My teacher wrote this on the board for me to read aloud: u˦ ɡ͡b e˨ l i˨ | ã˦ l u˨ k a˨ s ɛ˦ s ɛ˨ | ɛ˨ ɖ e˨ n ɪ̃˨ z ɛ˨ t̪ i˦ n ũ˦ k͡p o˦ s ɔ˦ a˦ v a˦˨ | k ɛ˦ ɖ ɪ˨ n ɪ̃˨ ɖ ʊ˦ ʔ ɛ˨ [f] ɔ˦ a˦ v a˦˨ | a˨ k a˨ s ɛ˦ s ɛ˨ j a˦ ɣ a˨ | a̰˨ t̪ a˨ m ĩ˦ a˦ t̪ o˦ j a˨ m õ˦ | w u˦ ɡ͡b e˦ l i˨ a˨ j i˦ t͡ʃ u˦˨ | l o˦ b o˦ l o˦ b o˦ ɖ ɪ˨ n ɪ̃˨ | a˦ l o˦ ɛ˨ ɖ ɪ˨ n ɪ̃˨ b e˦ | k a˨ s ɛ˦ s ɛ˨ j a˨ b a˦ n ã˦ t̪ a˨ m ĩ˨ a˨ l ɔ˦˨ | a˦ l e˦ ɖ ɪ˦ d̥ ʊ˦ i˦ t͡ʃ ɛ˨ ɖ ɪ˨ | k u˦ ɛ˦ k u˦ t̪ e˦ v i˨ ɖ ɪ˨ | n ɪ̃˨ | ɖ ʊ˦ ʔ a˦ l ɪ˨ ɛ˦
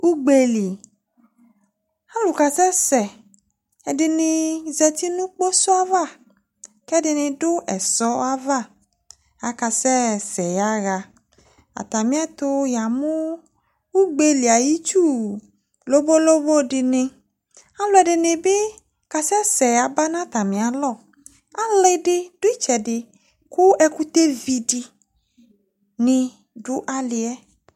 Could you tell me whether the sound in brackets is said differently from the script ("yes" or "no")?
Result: yes